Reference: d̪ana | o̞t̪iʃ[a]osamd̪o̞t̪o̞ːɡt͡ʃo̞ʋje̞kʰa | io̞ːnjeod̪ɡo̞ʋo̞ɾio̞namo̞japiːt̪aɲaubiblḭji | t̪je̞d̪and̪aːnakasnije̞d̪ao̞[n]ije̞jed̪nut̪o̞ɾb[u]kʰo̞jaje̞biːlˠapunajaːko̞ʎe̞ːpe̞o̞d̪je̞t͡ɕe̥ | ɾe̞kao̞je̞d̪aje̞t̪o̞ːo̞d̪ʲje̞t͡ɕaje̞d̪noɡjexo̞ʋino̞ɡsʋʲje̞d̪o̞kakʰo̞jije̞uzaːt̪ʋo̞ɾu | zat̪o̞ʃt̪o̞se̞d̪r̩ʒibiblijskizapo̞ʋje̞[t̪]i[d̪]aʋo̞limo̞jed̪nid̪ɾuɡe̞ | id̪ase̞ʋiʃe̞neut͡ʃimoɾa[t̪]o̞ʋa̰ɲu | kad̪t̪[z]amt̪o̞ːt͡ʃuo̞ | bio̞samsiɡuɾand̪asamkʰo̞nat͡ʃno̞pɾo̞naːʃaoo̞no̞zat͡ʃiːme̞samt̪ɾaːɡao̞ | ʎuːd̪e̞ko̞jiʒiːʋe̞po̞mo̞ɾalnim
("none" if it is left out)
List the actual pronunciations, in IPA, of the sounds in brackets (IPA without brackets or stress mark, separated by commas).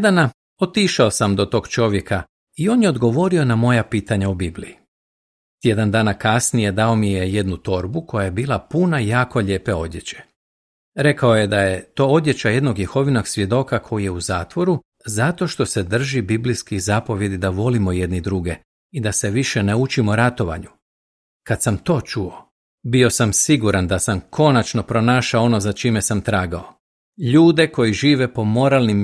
a, m, u, d̪, d̪, t̪, s